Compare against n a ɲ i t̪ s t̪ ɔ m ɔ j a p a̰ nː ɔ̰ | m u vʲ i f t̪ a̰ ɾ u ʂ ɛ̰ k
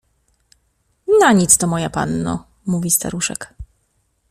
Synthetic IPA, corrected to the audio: n a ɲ i t̪ s t̪ ɔ m ɔ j a p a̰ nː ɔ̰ | m u vʲ i s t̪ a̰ ɾ u ʂ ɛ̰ k